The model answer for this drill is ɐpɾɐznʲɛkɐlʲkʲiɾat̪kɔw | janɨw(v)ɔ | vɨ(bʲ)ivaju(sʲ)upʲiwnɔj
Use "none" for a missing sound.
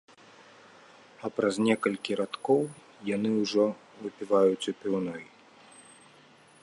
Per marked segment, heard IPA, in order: ʐ, pʲ, t͡sʲ

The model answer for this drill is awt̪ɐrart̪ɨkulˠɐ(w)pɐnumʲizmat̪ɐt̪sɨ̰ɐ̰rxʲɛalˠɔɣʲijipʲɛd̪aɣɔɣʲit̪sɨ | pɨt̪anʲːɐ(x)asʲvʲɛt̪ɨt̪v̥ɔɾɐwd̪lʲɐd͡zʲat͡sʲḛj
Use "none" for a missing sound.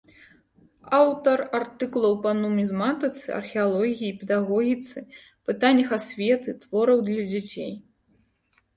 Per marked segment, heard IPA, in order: w, x

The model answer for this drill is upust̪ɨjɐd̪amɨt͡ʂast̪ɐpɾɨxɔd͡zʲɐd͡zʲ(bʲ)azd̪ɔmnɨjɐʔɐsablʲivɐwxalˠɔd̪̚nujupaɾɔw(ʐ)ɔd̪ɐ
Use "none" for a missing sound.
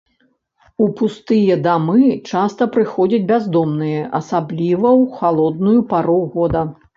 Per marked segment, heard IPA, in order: bʲ, ɣ

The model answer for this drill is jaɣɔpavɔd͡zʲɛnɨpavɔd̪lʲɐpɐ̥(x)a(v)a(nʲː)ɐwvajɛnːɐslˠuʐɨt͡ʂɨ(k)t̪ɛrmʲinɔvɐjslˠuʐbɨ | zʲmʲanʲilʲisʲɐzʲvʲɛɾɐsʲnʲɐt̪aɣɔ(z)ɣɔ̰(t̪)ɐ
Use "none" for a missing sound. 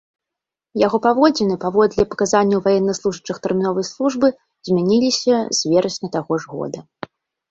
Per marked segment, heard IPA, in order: k, z, nʲː, x, ʐ, d̪

